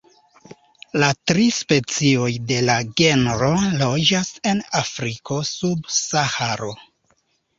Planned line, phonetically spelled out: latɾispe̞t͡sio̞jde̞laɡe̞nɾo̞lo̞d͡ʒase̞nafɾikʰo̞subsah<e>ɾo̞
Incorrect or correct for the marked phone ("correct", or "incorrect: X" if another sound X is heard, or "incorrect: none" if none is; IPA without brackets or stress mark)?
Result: incorrect: a